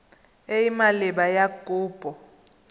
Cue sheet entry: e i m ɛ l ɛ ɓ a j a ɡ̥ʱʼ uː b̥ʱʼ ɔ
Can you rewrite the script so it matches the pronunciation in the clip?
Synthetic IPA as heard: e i m a l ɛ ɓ a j a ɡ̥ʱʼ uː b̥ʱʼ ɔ